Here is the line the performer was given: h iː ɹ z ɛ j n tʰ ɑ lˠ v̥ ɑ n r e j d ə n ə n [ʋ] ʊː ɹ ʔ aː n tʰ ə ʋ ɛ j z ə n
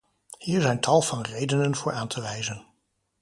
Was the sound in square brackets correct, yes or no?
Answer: no